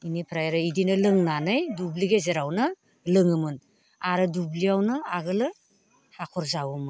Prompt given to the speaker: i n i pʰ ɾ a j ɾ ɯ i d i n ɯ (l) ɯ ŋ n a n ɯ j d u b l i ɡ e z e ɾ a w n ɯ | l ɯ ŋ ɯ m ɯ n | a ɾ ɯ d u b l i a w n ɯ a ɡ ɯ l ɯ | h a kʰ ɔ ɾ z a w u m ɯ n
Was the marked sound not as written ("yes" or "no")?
no